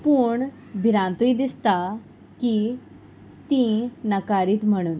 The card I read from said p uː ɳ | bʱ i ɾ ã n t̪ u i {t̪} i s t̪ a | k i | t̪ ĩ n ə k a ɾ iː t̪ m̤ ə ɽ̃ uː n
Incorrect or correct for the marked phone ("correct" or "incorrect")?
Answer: incorrect